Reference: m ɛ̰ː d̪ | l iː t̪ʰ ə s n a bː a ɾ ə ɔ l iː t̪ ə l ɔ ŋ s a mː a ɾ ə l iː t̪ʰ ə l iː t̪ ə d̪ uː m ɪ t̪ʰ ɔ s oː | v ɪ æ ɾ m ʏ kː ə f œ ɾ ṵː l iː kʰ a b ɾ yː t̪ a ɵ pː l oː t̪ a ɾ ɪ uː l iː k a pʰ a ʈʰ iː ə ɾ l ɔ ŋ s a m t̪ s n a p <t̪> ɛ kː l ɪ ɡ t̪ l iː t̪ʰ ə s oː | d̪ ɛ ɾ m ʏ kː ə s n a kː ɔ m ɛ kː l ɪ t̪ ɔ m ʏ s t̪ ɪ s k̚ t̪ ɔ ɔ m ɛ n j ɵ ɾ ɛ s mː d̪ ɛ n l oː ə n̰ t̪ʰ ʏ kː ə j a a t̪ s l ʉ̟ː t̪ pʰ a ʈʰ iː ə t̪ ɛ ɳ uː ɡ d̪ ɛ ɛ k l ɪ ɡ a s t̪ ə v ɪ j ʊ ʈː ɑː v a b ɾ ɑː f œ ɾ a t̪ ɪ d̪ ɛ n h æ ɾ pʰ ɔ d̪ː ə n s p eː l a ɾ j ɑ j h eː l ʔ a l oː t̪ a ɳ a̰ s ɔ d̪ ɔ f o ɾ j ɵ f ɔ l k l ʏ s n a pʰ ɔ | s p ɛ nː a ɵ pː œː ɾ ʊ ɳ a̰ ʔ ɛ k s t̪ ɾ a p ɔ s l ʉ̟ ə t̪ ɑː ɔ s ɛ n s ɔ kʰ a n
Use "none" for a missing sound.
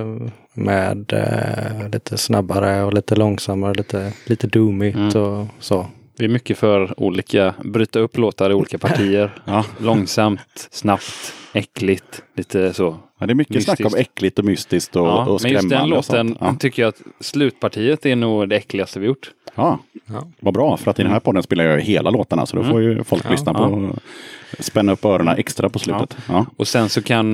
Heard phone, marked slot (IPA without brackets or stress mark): t̪